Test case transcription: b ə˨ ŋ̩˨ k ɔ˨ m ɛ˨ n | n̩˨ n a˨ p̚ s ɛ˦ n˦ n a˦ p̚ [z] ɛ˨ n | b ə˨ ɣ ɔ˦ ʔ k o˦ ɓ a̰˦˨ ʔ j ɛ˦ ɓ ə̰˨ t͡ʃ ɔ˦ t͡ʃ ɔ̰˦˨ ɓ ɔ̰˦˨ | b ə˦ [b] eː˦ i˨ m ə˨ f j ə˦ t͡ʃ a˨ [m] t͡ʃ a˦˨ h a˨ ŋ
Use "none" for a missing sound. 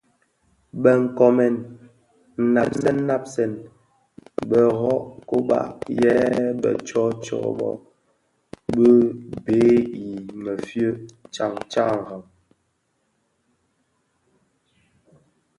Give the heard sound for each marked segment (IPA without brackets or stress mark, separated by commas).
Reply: s, b, ŋ